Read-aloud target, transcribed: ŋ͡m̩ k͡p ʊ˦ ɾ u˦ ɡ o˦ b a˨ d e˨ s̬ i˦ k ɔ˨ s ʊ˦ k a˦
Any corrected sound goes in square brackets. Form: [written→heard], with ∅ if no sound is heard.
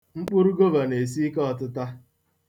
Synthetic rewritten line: ŋ͡m̩ k͡p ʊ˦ ɾ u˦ ɡ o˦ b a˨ [d→n] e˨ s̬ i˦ k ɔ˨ [s→t] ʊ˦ [k→t] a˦